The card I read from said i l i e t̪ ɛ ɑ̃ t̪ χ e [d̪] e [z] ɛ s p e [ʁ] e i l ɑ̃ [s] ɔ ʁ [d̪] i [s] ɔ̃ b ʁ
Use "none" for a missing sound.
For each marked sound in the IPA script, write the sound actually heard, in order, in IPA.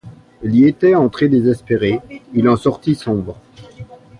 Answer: d̪, z, ʁ, s, t̪, s

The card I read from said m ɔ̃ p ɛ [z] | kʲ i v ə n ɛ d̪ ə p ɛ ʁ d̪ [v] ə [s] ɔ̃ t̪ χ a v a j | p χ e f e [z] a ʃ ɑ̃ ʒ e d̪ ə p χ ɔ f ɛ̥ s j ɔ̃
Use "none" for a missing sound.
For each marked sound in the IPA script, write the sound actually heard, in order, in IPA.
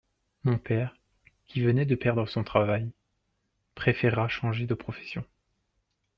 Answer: ʁ, ʁ, s, ʁ

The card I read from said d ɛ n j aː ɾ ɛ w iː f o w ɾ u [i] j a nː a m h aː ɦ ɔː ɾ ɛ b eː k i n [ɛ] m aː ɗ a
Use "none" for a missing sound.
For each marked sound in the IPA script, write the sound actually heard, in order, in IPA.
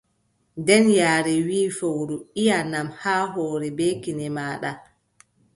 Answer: i, ɛ

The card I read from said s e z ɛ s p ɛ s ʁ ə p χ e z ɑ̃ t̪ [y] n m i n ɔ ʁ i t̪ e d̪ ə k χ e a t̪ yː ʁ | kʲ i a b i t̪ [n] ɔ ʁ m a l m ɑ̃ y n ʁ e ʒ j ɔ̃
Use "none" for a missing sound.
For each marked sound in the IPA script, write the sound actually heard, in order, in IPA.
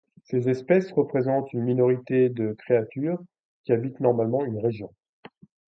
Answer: y, n

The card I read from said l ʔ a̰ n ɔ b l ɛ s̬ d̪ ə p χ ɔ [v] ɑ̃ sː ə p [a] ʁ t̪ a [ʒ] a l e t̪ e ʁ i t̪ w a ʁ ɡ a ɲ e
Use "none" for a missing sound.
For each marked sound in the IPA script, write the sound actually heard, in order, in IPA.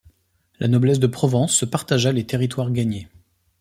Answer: v, a, ʒ

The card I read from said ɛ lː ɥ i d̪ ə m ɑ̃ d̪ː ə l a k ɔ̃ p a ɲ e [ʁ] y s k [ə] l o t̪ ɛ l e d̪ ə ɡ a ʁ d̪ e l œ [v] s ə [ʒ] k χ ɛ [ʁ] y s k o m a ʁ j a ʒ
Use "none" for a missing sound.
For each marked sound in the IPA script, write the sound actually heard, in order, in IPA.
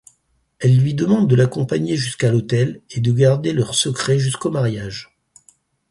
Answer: ʒ, a, ʁ, none, ʒ

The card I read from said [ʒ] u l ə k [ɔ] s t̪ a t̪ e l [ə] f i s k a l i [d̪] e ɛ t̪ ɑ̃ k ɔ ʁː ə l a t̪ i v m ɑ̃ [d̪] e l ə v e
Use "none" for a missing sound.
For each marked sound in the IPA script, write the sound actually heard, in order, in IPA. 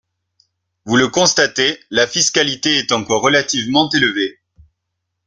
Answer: v, ɔ̃, a, t̪, t̪

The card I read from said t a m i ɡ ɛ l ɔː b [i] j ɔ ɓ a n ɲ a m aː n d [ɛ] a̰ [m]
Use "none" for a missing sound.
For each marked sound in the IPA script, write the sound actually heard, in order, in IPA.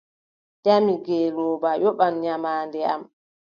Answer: a, ɛ, m

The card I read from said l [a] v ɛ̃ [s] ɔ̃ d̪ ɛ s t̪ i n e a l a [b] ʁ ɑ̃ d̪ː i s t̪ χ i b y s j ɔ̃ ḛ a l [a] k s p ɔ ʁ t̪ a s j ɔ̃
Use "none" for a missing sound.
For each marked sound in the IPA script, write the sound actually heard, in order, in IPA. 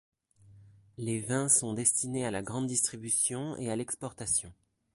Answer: e, s, ɡ, ɛ

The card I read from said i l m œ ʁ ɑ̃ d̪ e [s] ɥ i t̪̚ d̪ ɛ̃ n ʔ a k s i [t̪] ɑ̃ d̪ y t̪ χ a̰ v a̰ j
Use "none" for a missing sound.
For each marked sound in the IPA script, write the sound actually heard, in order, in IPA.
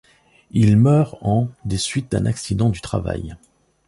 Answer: s, d̪

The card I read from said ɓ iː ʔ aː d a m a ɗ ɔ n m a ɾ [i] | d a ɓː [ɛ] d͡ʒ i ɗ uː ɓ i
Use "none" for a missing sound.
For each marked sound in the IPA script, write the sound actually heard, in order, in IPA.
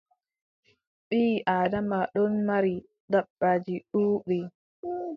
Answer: i, a

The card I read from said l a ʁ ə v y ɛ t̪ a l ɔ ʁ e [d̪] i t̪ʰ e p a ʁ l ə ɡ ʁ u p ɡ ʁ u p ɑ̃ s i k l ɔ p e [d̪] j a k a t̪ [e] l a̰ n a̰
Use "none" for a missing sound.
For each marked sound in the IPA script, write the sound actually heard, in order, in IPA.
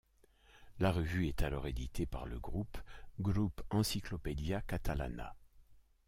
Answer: d̪, d̪, a

